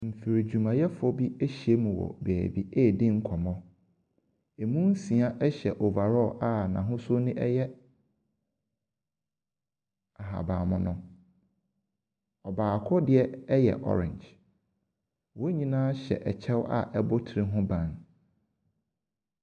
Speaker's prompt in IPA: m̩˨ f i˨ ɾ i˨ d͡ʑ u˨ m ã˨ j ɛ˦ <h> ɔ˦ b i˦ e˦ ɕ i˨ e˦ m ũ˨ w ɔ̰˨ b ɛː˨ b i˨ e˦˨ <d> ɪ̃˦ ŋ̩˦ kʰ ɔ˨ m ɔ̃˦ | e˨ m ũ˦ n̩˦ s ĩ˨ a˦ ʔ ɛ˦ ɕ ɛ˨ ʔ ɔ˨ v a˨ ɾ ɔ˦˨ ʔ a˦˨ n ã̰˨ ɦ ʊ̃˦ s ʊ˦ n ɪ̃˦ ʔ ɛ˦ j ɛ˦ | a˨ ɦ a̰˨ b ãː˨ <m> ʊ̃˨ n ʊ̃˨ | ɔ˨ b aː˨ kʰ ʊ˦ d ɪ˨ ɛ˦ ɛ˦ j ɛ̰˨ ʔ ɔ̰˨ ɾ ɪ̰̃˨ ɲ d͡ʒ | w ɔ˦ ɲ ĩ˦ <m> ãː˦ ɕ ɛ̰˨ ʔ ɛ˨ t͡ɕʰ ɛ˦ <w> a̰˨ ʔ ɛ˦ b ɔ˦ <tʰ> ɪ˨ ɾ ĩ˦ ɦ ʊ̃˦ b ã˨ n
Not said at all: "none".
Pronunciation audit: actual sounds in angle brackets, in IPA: f, d, m, n, w, tʰ

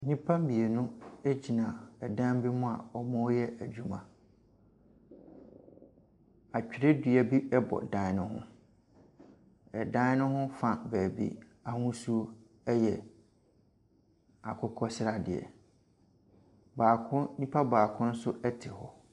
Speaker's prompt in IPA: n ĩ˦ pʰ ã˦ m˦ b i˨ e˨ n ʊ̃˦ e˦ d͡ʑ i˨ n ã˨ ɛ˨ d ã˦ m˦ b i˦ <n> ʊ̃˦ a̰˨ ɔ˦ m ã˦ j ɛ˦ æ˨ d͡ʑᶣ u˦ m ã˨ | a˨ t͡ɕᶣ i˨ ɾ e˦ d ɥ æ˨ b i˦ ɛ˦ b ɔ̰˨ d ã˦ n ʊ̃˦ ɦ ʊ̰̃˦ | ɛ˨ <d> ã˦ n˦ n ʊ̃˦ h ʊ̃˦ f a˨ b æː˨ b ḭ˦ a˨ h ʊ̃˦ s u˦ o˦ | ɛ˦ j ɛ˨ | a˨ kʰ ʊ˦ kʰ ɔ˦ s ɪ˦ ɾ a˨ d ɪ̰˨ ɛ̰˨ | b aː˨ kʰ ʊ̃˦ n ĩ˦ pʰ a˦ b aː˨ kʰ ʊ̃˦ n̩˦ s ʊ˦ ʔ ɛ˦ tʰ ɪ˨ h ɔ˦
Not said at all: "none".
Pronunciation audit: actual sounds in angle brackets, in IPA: m, d

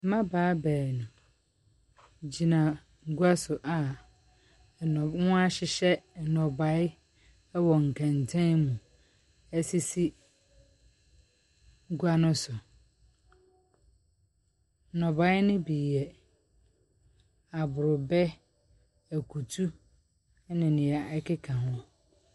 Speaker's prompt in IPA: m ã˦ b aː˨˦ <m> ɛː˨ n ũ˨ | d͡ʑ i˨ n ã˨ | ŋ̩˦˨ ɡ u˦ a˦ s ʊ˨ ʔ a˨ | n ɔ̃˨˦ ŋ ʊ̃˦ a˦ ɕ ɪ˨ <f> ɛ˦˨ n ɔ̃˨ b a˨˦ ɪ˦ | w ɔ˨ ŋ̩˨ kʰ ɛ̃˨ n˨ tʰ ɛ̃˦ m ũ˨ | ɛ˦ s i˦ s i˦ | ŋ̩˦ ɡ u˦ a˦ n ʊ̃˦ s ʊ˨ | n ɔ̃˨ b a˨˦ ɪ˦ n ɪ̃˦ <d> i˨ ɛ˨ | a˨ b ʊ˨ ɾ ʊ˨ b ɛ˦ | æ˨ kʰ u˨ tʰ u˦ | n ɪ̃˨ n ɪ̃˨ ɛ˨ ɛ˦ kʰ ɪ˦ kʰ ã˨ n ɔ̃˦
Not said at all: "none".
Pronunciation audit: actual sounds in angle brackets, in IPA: b, ɕ, b

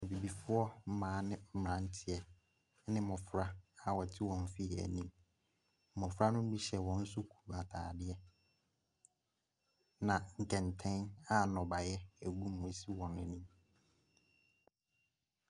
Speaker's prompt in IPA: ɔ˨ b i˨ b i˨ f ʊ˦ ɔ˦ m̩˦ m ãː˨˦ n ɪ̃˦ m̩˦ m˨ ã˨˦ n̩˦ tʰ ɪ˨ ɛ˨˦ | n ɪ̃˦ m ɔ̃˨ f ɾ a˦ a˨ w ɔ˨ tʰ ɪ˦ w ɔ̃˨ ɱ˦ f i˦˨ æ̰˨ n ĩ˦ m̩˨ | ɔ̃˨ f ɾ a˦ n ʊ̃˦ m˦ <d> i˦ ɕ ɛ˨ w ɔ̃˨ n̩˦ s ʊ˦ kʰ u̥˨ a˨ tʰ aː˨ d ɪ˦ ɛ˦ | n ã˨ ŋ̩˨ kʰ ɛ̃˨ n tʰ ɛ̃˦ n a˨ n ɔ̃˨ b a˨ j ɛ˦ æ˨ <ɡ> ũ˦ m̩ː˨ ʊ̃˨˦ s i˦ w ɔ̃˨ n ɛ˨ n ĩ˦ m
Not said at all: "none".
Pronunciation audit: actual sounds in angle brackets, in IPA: b, ɡ

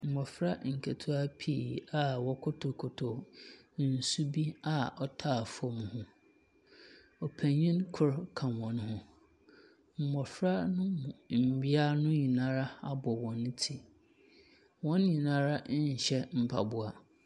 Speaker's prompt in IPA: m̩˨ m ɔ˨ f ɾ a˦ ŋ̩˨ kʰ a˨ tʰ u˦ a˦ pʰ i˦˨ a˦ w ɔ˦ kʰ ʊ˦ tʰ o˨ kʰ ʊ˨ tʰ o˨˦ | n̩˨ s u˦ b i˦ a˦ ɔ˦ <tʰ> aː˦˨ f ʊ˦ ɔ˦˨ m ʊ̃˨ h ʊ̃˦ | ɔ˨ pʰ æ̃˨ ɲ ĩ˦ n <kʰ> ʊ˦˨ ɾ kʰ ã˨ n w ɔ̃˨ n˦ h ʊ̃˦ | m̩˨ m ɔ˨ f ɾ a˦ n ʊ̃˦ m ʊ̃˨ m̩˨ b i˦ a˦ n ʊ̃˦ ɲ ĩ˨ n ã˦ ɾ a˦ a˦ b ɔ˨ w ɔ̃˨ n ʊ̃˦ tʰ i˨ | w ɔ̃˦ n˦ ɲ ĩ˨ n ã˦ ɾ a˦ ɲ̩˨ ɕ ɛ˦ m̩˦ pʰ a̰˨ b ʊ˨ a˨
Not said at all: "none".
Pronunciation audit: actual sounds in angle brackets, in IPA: tʰ, kʰ

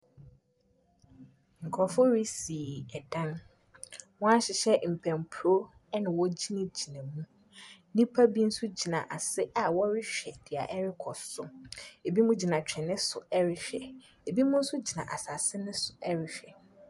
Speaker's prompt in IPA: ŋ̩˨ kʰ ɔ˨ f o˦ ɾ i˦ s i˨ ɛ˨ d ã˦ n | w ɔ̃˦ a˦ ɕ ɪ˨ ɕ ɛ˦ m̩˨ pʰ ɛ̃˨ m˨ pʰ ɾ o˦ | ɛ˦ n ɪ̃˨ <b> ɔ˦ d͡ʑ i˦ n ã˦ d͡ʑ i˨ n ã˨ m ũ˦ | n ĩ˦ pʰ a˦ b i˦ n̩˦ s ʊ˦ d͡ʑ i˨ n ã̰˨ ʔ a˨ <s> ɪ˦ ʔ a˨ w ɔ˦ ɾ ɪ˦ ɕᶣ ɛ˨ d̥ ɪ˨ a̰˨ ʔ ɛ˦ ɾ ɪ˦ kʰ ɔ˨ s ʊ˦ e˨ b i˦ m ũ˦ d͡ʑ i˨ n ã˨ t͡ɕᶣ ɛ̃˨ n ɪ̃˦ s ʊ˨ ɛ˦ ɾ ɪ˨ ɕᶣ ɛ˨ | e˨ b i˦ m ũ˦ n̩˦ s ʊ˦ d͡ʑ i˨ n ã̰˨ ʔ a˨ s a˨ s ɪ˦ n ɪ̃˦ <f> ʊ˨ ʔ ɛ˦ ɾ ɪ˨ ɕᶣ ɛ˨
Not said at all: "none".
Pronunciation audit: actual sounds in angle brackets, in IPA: w, s, s

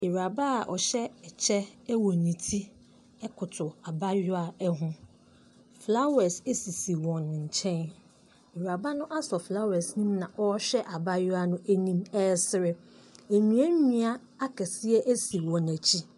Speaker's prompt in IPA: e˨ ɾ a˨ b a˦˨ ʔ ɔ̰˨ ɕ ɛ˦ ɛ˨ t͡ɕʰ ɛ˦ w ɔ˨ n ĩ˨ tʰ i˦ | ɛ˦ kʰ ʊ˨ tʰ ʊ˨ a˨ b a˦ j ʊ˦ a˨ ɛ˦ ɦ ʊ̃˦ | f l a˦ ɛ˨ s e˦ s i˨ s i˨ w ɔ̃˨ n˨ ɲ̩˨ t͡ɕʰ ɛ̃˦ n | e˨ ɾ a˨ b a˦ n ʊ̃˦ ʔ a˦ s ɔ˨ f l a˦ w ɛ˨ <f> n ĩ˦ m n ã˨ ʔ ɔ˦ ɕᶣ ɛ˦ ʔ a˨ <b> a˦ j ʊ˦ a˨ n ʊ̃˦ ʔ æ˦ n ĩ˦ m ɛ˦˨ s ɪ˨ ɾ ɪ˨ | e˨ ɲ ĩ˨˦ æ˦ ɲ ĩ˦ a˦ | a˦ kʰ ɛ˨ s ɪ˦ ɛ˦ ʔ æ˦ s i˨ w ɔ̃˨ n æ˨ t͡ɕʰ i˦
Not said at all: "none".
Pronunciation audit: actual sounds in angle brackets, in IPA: s, b

